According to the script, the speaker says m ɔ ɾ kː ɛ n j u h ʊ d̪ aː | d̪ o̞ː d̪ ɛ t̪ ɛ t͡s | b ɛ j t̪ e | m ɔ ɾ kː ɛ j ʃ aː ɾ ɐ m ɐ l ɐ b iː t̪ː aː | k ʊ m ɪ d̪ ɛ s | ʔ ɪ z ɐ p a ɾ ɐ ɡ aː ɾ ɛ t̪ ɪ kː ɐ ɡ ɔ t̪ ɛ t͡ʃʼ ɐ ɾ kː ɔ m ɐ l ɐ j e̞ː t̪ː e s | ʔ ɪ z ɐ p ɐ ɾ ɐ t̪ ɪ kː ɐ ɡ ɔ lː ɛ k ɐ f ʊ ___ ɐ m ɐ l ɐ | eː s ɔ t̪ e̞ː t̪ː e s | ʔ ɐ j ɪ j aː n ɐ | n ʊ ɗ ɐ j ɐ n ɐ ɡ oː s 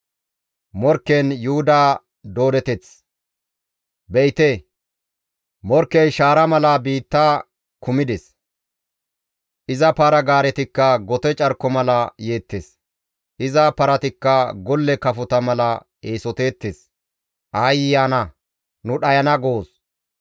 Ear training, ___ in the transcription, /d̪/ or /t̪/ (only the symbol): t̪